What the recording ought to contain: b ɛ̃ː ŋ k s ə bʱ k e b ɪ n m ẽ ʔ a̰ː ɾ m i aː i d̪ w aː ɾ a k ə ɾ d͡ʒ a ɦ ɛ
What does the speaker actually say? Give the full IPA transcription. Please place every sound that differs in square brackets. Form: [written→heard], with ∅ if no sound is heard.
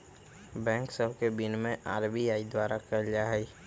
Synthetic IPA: b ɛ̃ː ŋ k s ə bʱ k e b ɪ n m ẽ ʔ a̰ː ɾ [m→b] i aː i d̪ w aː ɾ a k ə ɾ d͡ʒ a ɦ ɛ